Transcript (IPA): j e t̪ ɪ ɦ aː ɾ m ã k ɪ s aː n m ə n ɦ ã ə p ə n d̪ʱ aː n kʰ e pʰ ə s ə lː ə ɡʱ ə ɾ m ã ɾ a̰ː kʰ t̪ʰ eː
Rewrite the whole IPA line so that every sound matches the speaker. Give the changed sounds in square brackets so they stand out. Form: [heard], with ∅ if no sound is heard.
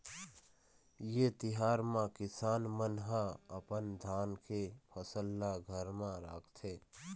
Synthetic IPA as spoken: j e t̪ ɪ ɦ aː ɾ m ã k ɪ s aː n m ə n ɦ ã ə p ə n d̪ʱ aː n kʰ e pʰ ə s ə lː [a] ɡʱ ə ɾ m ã ɾ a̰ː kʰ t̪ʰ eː